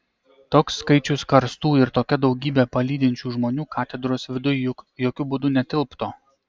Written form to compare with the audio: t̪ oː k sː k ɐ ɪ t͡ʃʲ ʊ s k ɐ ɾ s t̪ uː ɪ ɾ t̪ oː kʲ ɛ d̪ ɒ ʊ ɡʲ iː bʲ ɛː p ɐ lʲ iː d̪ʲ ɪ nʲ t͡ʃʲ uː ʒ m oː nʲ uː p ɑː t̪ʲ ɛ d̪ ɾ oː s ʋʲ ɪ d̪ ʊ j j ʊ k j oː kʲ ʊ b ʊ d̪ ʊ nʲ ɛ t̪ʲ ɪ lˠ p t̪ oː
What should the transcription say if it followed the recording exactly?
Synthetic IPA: t̪ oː k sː k ɐ ɪ t͡ʃʲ ʊ s k ɐ ɾ s t̪ uː ɪ ɾ t̪ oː kʲ ɛ d̪ ɒ ʊ ɡʲ iː bʲ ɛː p ɐ lʲ iː d̪ʲ ɪ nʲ t͡ʃʲ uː ʒ m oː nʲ uː k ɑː t̪ʲ ɛ d̪ ɾ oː s ʋʲ ɪ d̪ ʊ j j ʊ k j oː kʲ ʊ b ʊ d̪ ʊ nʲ ɛ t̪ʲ ɪ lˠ p t̪ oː